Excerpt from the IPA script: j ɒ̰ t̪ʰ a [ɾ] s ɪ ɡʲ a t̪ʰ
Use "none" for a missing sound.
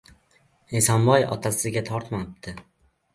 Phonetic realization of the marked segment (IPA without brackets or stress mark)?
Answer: none